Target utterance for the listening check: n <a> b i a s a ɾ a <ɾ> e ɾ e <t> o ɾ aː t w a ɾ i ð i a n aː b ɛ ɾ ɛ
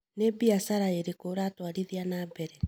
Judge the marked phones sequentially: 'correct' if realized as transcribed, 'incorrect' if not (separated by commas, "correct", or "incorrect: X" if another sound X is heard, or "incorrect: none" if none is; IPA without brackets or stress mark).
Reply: incorrect: e, incorrect: none, incorrect: k